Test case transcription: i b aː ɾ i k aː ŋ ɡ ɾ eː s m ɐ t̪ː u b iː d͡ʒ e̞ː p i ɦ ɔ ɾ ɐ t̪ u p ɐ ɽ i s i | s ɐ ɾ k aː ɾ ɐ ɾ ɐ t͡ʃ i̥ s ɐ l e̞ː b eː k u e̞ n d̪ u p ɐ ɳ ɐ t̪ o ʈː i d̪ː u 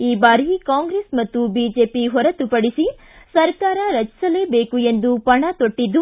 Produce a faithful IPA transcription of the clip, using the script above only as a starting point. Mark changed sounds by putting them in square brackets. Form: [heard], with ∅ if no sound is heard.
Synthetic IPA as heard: [iː] b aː ɾ i k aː ŋ ɡ ɾ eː s m ɐ t̪ː u b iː d͡ʒ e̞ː p i ɦ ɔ ɾ ɐ t̪ u p ɐ ɽ i s i | s ɐ ɾ k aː ɾ ɐ ɾ ɐ t͡ʃ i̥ s ɐ l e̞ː b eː k u e̞ n d̪ u p ɐ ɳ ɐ t̪ o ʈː i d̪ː u